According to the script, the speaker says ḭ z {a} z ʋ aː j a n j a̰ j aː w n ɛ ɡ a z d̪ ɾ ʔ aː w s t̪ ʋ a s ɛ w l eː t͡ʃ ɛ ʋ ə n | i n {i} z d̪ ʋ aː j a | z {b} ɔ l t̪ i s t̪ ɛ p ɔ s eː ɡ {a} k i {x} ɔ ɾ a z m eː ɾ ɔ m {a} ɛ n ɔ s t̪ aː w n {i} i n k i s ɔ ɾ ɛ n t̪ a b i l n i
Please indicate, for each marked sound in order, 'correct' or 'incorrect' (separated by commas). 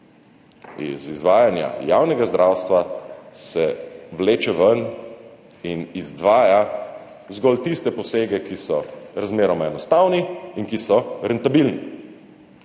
incorrect, correct, incorrect, incorrect, incorrect, correct, correct